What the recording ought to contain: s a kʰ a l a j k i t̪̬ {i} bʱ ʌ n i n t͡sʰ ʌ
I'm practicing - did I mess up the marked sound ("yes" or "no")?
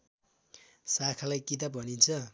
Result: yes